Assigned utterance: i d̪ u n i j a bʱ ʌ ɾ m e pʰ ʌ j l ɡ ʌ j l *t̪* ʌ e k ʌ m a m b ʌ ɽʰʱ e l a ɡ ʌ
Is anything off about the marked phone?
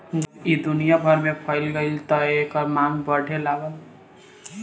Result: no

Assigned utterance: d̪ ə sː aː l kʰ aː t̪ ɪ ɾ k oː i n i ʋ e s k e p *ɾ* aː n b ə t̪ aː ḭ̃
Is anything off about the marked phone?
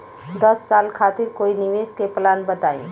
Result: yes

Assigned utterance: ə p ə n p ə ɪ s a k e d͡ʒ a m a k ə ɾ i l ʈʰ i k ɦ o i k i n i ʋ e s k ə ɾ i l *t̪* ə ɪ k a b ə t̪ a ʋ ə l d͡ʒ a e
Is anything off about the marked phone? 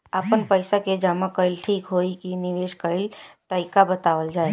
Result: no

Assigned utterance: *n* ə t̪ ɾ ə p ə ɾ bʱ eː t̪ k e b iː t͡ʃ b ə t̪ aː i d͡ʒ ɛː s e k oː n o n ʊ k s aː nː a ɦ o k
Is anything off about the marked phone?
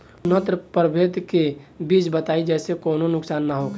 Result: no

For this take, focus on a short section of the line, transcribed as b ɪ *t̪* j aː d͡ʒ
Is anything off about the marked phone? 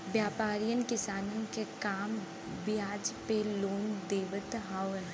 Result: yes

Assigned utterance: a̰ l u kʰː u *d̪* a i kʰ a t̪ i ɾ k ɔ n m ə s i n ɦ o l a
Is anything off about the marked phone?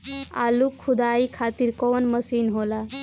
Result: no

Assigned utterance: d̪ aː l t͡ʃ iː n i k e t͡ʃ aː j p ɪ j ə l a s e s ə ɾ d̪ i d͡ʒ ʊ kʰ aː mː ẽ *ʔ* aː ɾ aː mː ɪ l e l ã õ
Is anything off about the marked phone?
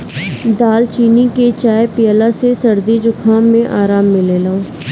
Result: no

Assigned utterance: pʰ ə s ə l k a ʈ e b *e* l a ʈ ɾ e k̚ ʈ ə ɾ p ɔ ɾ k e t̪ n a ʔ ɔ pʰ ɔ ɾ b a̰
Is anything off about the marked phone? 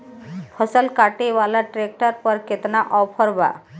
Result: yes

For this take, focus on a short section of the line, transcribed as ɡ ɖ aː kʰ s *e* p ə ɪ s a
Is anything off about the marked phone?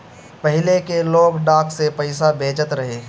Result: no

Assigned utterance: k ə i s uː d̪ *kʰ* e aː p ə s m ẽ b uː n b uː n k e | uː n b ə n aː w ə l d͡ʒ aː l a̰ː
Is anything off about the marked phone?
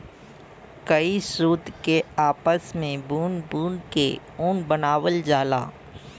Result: yes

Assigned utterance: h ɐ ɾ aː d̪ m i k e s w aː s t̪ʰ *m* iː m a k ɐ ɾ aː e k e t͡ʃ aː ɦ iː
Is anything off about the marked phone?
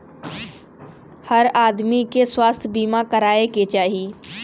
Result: yes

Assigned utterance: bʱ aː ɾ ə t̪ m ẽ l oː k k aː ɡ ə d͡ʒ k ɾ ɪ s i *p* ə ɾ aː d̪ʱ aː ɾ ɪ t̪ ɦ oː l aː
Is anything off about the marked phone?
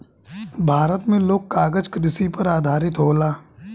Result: no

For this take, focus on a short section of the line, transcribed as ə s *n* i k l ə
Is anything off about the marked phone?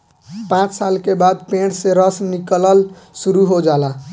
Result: no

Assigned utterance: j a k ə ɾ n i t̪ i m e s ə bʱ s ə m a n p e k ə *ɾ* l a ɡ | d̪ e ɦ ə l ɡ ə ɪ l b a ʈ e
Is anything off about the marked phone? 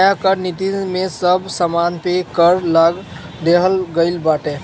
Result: no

